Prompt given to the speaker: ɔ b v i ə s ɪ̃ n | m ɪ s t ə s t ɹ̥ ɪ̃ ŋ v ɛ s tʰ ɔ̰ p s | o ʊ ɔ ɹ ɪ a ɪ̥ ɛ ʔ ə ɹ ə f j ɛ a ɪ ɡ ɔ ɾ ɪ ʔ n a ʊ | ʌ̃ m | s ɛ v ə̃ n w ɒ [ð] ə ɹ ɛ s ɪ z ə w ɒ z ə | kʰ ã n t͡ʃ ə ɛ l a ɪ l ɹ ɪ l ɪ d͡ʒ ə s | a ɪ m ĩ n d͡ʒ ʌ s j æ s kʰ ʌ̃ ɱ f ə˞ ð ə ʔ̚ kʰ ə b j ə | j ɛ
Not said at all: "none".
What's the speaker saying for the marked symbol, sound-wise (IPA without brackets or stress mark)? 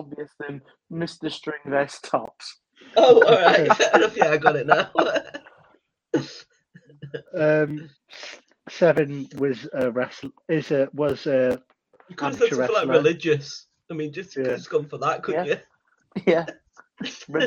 z